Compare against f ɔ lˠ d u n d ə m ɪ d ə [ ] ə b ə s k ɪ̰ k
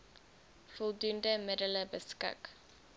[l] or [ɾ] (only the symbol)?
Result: l